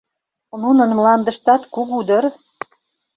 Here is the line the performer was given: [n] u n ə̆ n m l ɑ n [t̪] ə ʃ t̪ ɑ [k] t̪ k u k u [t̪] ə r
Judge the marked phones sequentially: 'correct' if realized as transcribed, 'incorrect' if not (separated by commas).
correct, incorrect, incorrect, incorrect